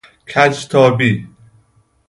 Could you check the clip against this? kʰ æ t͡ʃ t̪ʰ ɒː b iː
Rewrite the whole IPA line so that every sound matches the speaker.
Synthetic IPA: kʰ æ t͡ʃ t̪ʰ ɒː b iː